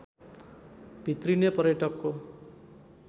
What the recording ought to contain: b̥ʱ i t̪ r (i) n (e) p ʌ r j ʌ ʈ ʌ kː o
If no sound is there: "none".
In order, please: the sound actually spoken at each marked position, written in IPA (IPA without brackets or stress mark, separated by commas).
i, e